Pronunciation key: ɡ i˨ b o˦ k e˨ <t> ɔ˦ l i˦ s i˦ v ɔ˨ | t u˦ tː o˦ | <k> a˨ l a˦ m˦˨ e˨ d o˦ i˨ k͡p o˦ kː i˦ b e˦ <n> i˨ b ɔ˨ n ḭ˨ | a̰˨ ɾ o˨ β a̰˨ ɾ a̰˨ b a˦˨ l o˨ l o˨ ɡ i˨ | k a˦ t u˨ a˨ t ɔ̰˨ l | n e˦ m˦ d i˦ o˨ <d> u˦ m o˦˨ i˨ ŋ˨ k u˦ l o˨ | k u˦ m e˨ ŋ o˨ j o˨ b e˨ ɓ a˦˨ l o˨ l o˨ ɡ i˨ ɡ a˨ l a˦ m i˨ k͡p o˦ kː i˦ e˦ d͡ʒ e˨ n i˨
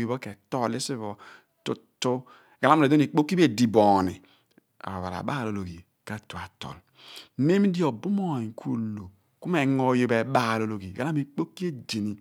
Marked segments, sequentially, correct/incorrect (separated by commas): correct, incorrect, incorrect, incorrect